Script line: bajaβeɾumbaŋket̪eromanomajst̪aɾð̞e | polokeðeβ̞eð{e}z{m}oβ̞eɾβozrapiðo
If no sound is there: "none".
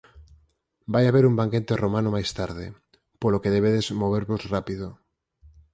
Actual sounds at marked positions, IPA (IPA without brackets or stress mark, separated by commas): e, m